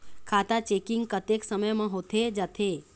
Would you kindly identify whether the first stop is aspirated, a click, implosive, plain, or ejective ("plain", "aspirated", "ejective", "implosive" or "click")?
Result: aspirated